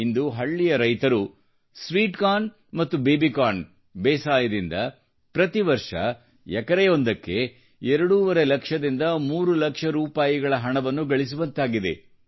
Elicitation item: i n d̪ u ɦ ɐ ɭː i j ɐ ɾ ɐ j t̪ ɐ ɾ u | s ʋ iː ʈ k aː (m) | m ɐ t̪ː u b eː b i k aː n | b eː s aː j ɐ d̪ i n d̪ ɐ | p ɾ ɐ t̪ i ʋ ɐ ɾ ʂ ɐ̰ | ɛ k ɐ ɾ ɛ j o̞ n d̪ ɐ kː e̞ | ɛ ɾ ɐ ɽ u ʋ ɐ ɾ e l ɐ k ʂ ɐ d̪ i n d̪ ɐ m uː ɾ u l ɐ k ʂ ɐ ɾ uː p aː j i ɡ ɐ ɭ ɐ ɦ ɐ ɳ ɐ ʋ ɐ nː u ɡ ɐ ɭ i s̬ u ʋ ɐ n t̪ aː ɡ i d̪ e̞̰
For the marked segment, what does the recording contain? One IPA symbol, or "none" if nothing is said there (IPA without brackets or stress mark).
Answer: n